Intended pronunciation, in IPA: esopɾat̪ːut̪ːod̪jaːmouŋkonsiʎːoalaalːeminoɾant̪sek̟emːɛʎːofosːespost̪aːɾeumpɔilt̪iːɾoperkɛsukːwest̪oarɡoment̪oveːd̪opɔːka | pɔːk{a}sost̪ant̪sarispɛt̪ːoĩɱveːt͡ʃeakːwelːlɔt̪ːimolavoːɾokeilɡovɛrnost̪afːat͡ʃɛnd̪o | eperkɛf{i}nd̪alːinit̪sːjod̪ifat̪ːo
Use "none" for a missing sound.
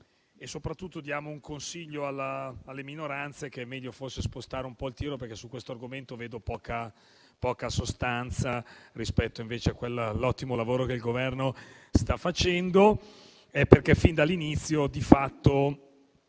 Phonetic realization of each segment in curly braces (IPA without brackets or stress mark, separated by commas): a, i